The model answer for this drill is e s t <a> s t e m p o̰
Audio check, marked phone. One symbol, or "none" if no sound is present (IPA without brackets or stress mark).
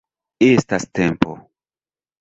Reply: a